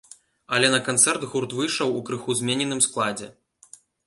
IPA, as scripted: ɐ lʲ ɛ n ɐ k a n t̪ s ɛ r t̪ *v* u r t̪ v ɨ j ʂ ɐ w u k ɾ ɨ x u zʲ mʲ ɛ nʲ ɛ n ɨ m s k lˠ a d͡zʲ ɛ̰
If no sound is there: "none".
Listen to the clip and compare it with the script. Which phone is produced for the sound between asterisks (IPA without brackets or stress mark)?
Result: ɣ